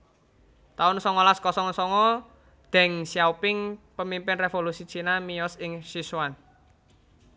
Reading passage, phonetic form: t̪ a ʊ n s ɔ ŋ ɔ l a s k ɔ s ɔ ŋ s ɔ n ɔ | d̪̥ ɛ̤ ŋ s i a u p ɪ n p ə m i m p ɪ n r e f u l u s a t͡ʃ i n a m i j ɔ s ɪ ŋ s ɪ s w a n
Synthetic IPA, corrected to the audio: t̪ a ʊ n s ɔ ŋ ɔ l a s k ɔ s ɔ ŋ s ɔ ŋ ɔ | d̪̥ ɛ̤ ŋ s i a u p ɪ ŋ p ə m i m p ɪ n r e f o l u s i t͡ʃ i n a m i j ɔ s ɪ ŋ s i s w a n